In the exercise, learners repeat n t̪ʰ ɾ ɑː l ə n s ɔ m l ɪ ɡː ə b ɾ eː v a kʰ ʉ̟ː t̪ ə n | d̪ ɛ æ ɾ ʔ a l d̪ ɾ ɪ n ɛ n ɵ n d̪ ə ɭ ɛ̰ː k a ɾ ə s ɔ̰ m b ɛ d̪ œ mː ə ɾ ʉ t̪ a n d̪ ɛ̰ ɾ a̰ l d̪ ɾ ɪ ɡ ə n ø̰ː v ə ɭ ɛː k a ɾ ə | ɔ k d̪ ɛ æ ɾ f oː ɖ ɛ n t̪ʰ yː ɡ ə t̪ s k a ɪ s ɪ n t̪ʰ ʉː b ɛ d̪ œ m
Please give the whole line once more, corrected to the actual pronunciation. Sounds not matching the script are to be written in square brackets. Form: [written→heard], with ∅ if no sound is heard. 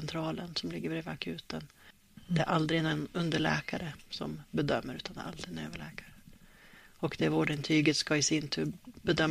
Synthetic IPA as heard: n t̪ʰ ɾ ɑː l ə n s ɔ m l ɪ ɡː ə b ɾ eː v a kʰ ʉ̟ː t̪ ə n | d̪ ɛ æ ɾ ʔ a l d̪ ɾ ɪ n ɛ n ɵ n d̪ ə ɭ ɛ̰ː k a ɾ ə s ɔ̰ m b ɛ d̪ œ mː ə ɾ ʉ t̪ a n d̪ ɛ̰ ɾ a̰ l d̪ ɾ ɪ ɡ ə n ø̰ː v ə ɭ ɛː k a ɾ ə | ɔ k d̪ ɛ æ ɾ [f→v] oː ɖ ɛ n t̪ʰ yː ɡ ə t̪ s k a ɪ s ɪ n t̪ʰ ʉː b ɛ d̪ œ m